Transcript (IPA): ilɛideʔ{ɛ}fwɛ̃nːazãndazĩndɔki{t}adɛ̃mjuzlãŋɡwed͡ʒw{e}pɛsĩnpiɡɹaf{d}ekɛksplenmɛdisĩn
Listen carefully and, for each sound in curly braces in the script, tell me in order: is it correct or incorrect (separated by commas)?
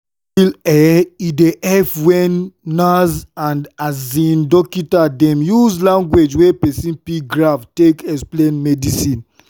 correct, correct, correct, incorrect